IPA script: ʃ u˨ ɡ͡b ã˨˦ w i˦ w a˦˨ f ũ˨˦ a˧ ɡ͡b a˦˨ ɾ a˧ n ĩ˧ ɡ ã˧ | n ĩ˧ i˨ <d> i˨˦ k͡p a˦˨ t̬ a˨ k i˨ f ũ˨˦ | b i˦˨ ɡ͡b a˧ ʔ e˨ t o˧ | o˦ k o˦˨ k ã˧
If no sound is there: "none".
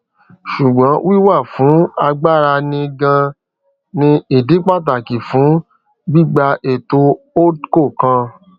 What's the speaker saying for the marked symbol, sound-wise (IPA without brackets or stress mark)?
d